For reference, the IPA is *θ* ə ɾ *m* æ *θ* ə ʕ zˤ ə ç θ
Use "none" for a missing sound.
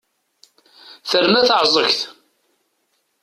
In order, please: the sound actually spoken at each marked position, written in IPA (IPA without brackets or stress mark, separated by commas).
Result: θ, m, θ